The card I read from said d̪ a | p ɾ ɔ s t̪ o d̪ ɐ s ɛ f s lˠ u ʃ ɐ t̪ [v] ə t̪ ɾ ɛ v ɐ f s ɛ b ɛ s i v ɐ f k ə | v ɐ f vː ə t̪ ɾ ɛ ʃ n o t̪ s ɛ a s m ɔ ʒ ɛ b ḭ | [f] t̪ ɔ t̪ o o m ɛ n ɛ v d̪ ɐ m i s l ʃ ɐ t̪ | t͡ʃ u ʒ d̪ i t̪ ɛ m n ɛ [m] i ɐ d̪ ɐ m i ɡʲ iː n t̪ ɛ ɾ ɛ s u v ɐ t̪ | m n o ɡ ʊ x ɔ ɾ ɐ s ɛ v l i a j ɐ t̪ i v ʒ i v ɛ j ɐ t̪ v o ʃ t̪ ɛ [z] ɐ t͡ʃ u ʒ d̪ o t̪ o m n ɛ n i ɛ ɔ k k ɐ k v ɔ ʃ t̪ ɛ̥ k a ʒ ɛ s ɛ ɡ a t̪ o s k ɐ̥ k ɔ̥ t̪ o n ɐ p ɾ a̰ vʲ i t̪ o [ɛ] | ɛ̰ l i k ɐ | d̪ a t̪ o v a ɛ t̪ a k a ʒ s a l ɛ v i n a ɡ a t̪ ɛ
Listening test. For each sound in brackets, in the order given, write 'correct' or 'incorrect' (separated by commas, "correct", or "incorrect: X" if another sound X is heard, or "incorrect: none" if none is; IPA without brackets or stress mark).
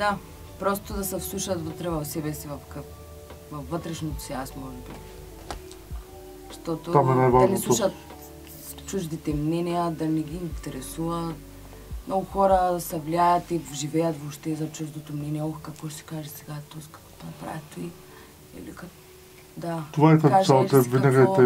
correct, incorrect: ʃ, incorrect: n, correct, incorrect: i